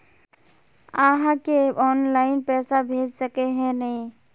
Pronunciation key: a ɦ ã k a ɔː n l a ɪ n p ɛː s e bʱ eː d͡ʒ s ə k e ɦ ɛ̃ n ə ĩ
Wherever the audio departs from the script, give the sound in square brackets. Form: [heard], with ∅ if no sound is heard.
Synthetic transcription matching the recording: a ɦ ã k [e] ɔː n l a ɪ n p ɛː s [a] bʱ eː d͡ʒ s ə k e ɦ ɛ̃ n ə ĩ